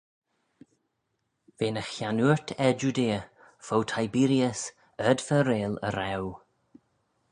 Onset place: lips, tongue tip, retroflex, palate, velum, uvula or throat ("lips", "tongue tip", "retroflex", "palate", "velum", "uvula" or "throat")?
lips